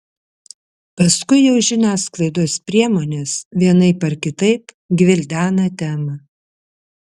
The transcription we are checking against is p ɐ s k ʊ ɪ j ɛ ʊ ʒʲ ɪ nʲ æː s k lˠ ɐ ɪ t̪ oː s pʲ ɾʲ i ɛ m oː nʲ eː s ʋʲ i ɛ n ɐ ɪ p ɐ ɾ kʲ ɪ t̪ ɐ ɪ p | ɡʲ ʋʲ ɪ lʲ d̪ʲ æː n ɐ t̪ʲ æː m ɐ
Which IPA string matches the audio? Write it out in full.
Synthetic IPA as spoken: p ɐ s k ʊ ɪ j ɛ ʊ ʒʲ ɪ nʲ æː s k lˠ ɐ ɪ d̪ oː s pʲ ɾʲ i ɛ m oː nʲ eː s ʋʲ i ɛ n ɐ ɪ p ɐ ɾ kʲ ɪ t̪ ɐ ɪ p | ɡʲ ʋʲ ɪ lʲ d̪ʲ æː n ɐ t̪ʲ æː m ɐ